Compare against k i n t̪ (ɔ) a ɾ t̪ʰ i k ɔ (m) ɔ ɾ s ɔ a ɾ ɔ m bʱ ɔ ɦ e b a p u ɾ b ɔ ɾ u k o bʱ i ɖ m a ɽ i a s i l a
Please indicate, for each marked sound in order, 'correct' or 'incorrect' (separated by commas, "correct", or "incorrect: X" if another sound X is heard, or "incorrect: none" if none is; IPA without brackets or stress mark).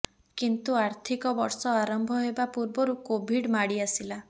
incorrect: u, incorrect: b